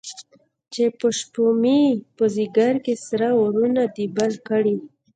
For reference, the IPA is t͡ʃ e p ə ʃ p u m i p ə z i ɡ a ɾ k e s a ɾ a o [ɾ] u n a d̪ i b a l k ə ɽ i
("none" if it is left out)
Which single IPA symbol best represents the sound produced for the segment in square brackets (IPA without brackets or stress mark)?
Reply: ɾ